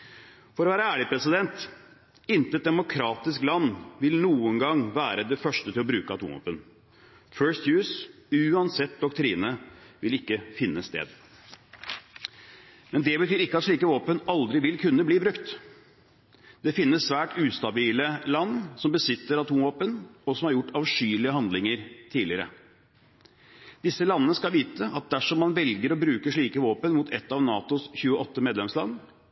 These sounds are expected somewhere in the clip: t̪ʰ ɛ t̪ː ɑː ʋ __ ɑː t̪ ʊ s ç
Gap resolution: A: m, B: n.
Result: B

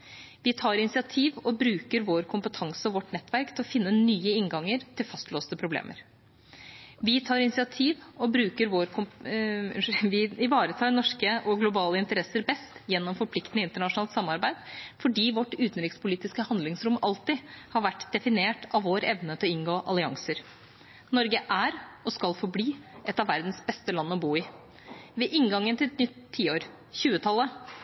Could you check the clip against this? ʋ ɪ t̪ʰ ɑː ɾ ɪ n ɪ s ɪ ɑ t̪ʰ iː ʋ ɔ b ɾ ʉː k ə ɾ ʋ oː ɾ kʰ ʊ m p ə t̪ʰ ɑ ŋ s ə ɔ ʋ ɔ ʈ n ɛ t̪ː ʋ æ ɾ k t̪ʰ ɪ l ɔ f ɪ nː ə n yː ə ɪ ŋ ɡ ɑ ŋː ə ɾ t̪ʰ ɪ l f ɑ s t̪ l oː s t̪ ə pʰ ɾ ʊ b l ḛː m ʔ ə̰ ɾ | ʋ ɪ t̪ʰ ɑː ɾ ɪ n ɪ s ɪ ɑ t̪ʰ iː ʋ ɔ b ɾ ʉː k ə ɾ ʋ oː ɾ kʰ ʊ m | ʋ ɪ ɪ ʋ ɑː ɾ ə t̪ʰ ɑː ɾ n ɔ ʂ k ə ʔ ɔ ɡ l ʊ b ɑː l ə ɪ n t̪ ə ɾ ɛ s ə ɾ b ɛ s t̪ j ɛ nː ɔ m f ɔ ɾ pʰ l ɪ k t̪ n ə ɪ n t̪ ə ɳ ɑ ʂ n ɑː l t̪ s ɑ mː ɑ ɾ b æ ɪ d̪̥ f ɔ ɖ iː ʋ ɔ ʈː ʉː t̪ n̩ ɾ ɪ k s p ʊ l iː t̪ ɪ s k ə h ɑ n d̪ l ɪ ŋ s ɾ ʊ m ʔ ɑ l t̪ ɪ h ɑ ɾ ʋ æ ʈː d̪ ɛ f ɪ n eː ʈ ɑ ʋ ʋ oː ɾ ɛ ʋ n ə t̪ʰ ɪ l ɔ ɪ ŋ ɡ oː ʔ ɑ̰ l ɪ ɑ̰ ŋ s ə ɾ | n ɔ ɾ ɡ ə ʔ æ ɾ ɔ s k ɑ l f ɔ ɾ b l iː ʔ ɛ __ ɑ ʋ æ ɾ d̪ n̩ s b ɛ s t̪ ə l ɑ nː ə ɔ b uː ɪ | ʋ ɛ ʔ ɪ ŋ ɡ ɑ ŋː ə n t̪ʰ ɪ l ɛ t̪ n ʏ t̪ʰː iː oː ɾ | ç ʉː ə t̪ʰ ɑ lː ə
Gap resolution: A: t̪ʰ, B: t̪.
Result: B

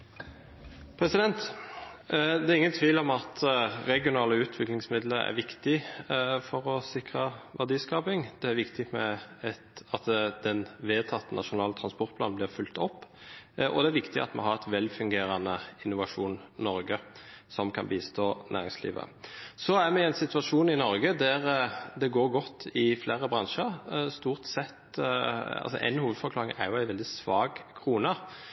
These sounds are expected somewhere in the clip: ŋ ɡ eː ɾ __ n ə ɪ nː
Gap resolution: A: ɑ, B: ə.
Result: A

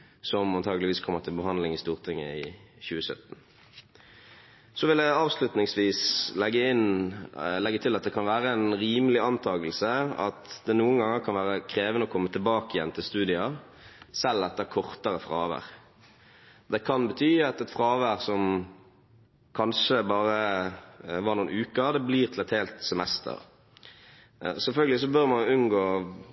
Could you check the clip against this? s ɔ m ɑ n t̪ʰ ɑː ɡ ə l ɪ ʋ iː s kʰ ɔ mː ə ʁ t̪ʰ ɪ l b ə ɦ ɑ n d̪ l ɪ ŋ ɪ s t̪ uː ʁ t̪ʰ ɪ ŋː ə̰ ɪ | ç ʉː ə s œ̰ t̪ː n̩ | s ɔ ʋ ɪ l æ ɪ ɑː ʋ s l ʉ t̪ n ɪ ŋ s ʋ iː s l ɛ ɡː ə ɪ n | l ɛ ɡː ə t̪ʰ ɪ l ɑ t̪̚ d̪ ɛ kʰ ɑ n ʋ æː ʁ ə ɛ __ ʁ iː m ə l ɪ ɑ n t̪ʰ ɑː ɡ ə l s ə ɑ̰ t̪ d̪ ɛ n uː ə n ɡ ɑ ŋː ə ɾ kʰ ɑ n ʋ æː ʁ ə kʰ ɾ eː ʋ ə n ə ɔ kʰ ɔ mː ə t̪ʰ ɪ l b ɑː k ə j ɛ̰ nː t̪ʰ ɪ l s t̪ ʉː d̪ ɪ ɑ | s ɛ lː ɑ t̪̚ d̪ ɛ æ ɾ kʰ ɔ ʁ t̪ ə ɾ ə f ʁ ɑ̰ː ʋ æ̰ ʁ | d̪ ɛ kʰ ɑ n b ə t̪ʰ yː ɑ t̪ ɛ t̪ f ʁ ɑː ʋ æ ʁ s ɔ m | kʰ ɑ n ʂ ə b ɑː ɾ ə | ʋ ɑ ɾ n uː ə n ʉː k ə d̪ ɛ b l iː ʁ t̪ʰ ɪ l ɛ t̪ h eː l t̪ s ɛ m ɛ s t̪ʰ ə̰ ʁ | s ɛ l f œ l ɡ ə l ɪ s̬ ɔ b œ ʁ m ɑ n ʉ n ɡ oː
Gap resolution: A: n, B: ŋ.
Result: A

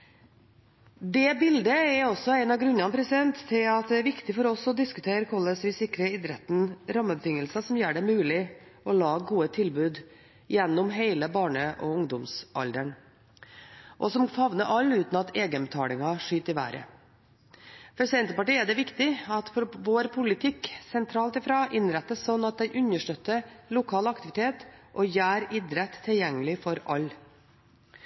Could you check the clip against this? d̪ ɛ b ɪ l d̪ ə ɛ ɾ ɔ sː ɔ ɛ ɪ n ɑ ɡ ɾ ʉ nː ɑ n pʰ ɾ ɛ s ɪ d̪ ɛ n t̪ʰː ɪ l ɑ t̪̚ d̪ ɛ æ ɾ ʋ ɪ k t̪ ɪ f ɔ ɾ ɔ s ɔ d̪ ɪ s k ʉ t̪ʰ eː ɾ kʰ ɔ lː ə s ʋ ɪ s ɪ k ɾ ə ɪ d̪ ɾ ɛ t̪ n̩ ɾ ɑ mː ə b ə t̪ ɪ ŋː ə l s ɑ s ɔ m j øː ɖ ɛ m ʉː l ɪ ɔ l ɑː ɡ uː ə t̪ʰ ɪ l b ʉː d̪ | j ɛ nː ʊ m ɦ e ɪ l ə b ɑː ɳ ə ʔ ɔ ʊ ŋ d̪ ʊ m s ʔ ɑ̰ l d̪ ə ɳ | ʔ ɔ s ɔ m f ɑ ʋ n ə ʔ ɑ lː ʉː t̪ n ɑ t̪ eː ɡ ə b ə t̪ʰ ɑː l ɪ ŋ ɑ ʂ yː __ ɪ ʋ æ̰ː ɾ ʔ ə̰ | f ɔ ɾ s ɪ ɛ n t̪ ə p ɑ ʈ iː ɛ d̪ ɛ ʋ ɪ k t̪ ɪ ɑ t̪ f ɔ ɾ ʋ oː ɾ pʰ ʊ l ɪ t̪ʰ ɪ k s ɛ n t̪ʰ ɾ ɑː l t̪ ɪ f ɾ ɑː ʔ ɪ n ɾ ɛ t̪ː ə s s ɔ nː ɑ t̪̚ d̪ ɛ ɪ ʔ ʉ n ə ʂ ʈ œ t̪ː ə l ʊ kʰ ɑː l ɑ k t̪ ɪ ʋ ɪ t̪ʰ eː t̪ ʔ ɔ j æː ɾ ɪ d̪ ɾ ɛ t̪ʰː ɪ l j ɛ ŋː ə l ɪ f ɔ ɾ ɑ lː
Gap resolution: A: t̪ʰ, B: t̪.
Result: B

